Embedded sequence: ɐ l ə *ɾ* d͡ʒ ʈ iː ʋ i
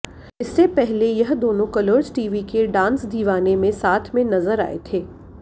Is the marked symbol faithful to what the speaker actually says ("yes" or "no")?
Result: yes